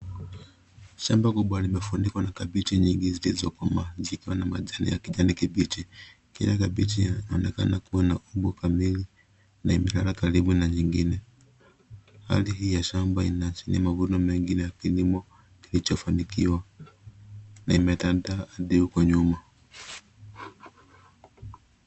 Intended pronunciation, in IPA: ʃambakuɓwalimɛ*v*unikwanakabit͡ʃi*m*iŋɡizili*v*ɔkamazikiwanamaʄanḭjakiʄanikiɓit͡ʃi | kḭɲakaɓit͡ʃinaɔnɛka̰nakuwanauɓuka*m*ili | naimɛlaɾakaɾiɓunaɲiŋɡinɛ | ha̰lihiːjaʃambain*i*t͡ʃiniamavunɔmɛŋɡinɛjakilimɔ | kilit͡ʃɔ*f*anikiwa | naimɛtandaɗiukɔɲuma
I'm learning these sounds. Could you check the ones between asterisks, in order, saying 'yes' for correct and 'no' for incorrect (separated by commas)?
no, no, no, yes, no, yes